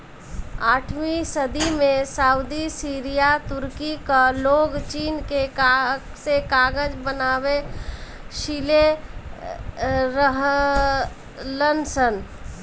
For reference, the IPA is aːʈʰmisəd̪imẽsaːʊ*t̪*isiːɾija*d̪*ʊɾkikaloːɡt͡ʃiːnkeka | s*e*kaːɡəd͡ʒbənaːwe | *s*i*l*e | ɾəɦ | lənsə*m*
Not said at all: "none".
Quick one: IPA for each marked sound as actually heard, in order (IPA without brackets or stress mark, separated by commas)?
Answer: d̪, t̪, e, ʃ, l, n